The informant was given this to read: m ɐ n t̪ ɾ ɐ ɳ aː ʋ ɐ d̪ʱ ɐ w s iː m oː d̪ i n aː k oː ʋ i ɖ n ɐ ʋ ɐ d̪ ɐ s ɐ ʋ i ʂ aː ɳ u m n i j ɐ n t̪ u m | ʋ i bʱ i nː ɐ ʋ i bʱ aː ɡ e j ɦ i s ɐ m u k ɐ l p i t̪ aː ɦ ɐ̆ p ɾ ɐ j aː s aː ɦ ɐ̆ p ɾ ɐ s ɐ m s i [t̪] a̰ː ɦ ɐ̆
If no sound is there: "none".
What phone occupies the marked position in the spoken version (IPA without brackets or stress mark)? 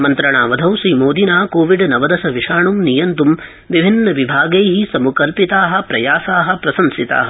t̪